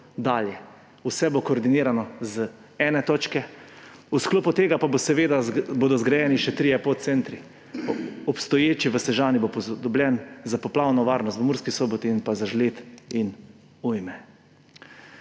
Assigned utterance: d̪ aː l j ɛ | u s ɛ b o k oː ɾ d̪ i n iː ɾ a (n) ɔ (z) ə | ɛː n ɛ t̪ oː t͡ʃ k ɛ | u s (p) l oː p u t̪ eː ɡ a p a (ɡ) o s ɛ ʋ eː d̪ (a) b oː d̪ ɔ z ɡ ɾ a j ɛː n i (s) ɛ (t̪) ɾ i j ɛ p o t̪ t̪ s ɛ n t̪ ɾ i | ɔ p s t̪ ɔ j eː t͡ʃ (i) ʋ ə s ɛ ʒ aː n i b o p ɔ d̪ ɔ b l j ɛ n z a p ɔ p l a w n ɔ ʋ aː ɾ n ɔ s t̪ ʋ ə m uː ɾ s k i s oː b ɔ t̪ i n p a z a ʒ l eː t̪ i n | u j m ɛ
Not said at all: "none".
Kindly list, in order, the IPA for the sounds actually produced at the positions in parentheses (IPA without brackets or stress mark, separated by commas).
n, z, k, b, a, ʃ, t̪, i